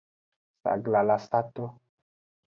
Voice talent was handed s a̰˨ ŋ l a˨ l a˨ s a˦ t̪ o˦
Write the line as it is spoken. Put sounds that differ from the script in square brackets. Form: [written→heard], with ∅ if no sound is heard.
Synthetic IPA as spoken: s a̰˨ [ŋ→ɡ] l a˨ l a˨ s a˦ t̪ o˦

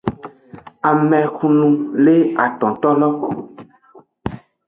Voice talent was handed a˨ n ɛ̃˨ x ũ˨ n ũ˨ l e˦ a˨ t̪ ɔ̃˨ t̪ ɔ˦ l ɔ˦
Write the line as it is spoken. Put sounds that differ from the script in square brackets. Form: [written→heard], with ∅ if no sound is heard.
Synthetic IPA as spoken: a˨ [n→m] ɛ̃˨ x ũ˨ n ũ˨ l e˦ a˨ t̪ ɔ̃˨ t̪ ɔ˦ l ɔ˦

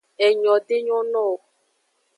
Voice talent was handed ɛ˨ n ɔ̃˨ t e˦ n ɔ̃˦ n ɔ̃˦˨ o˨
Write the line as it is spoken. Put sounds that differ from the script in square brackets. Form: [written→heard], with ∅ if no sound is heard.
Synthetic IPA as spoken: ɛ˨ [n→ɲ] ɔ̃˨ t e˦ [n→ɲ] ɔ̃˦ n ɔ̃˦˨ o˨

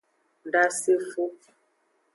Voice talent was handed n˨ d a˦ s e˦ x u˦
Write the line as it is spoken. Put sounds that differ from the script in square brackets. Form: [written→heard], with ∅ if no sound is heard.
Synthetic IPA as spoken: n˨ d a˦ s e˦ [x→f] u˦

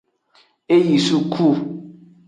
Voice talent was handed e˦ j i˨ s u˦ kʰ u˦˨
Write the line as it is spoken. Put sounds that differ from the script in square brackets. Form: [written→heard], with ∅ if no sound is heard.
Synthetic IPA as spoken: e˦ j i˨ s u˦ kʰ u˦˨

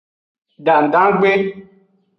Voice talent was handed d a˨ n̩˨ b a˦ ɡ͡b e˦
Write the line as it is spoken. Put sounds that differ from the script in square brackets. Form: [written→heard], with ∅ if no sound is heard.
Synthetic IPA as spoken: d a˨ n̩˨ [b→d] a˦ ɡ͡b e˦

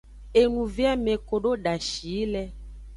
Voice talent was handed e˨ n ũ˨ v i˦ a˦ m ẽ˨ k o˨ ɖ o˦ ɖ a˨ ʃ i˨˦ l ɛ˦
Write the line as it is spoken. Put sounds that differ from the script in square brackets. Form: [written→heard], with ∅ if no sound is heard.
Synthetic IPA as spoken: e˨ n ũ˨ v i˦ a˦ m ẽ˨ k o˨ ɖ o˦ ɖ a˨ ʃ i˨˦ l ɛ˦

